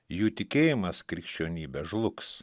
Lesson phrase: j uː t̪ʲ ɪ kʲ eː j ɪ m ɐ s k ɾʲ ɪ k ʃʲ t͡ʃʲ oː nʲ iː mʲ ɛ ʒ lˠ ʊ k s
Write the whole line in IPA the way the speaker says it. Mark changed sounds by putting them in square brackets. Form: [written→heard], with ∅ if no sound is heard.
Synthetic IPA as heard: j uː t̪ʲ ɪ kʲ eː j ɪ m ɐ s k ɾʲ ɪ k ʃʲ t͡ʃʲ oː nʲ iː [mʲ→bʲ] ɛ ʒ lˠ ʊ k s